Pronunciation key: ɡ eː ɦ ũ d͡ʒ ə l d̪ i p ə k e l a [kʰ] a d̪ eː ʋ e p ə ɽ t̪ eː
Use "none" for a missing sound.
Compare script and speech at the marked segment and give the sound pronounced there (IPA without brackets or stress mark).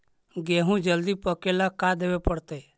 k